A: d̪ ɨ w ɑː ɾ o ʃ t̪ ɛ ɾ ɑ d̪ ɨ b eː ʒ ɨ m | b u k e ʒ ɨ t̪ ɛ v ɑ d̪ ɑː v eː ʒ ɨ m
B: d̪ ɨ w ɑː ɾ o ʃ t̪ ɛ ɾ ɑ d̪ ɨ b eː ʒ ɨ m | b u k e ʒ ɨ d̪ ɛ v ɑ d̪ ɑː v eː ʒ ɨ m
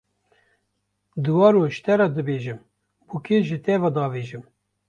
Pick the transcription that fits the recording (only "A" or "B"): A